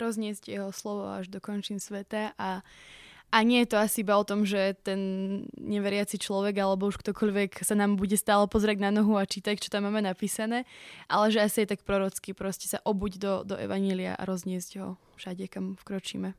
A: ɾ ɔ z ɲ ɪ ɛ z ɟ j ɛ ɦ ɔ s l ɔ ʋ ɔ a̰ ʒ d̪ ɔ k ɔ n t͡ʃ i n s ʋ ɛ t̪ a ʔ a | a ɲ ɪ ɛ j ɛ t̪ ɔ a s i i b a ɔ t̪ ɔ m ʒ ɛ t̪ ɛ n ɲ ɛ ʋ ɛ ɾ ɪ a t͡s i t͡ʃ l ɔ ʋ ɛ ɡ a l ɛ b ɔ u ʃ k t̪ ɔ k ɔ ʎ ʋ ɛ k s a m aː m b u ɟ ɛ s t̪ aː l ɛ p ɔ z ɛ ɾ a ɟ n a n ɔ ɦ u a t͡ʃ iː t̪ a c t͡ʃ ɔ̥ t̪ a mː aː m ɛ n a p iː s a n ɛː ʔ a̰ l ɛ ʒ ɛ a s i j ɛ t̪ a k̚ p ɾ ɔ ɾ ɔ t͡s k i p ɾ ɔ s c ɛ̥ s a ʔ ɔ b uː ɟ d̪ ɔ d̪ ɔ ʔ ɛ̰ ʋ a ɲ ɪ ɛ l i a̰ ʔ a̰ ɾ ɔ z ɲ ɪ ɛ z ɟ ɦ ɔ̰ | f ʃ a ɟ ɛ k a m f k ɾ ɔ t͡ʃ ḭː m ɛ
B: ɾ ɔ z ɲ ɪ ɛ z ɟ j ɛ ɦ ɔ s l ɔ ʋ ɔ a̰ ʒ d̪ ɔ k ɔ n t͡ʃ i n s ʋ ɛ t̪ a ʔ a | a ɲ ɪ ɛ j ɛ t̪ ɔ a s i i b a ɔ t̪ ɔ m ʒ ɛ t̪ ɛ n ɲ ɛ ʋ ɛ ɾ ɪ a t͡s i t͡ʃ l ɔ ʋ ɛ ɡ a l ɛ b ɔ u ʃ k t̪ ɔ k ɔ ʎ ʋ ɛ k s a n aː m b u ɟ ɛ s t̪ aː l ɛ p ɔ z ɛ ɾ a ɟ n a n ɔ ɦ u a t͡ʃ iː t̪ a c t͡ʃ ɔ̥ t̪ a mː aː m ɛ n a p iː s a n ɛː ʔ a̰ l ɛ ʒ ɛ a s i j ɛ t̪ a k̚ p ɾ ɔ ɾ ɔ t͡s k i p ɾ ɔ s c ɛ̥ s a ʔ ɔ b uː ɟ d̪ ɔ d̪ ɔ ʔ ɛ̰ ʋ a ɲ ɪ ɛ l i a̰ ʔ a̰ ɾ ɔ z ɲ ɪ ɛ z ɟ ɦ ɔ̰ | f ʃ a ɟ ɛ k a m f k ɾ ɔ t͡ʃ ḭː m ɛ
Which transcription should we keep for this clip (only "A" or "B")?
B